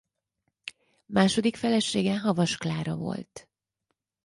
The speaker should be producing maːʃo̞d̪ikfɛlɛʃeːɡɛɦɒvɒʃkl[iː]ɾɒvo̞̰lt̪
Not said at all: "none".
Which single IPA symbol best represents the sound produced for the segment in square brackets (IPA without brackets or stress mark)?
aː